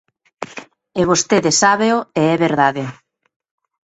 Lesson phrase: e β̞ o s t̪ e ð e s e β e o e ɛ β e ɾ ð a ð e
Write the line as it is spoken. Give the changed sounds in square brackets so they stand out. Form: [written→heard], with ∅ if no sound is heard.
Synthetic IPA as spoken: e β̞ o s t̪ e ð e s [e→a] β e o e ɛ β e ɾ ð a ð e